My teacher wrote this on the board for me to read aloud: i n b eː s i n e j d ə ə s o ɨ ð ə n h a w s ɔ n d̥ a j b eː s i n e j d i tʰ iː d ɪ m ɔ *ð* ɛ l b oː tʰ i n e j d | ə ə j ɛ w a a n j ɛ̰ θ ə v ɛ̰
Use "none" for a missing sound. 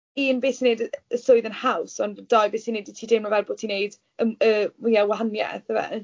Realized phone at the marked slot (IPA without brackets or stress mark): v